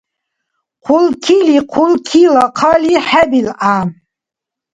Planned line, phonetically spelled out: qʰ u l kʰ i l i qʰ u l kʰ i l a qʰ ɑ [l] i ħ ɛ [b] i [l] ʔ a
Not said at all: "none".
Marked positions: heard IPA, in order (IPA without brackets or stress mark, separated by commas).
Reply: l, b, l